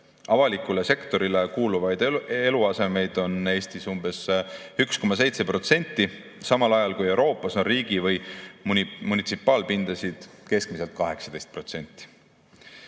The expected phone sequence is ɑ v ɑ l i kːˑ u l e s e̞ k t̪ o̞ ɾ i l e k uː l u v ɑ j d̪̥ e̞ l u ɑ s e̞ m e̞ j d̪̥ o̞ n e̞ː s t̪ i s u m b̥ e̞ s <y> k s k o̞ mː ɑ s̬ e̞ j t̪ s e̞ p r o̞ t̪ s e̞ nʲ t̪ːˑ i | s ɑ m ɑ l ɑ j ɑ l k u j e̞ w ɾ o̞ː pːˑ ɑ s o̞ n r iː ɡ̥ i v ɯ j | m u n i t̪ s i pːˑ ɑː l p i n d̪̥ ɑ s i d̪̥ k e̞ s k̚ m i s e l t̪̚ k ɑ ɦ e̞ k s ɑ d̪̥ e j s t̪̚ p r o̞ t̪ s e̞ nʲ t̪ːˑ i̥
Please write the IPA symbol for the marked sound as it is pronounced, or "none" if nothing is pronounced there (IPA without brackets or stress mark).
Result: y